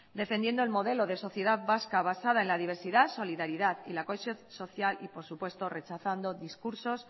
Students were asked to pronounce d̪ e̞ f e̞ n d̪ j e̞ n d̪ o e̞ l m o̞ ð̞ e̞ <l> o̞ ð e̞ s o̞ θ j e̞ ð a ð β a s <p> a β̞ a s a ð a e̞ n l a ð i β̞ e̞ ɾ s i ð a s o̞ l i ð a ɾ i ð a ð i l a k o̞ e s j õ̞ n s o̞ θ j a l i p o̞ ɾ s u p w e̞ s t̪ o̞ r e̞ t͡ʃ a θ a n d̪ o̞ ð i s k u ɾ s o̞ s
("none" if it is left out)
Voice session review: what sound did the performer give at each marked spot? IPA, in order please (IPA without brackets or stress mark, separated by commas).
l, k